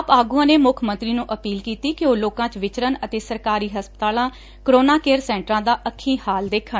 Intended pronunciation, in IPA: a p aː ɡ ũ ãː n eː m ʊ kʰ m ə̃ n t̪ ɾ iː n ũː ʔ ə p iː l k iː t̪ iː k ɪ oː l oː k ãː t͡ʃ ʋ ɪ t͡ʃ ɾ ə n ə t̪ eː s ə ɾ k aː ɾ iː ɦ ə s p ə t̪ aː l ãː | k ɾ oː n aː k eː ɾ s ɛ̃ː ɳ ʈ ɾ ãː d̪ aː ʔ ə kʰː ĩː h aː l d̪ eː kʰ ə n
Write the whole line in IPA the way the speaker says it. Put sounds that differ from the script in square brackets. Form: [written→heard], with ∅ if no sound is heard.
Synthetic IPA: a p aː ɡ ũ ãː n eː m ʊ kʰ m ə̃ n t̪ ɾ iː n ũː ʔ ə p iː l k iː t̪ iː k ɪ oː l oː k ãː t͡ʃ ʋ ɪ t͡ʃ ɾ ə n ə t̪ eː s ə ɾ k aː ɾ iː ɦ ə s p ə t̪ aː l ãː | k ɾ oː n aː k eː ɾ s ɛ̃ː ɳ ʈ ɾ ãː d̪ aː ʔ ə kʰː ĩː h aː l d̪ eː kʰ ə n